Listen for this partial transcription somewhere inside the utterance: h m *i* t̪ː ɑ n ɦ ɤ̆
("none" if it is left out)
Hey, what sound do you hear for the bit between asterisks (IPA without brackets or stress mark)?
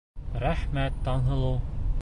æ